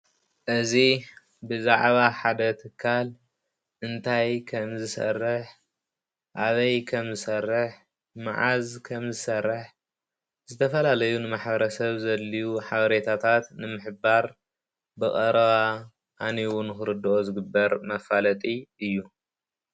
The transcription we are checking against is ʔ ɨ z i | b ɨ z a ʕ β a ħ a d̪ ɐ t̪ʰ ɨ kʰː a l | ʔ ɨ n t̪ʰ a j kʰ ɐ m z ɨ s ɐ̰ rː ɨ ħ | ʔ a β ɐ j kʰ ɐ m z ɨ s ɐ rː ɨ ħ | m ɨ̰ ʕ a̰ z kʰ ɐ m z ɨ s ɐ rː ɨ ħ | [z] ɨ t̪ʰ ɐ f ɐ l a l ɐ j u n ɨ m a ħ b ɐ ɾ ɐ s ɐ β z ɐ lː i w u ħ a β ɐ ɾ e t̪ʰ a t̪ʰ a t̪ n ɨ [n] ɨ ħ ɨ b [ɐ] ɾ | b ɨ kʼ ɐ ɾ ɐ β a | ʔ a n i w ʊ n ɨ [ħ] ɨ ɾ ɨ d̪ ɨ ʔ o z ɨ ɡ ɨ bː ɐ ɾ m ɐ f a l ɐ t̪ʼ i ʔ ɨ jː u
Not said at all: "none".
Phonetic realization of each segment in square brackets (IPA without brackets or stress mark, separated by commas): z, m, a, x